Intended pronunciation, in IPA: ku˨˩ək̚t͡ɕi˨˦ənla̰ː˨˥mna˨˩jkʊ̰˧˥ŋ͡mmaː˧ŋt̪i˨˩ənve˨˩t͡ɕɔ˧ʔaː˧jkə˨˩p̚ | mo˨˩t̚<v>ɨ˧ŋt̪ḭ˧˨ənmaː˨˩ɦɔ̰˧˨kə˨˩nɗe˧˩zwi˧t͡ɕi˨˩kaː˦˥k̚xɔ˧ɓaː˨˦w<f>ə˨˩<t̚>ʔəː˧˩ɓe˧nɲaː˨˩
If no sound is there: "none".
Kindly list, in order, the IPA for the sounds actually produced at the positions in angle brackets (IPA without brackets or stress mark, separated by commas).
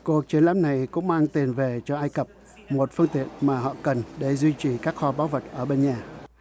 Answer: f, v, t̚